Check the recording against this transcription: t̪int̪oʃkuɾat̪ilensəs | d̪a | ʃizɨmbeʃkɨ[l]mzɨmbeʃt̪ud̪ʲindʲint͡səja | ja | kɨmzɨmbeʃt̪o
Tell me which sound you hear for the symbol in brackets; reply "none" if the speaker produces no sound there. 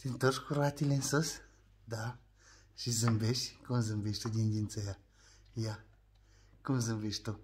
none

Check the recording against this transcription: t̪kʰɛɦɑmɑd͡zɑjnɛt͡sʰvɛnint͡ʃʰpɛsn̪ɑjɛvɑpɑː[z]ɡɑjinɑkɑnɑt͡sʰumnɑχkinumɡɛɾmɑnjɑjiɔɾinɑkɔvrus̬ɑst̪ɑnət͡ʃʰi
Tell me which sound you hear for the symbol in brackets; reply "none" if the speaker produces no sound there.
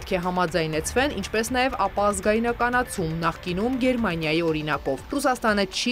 z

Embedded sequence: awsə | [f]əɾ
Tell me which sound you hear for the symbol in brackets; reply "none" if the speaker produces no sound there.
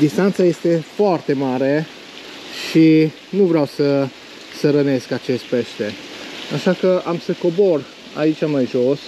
s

